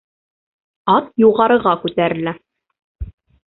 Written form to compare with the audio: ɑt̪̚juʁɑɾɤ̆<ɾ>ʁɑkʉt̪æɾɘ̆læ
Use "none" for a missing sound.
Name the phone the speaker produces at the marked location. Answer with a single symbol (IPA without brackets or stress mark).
none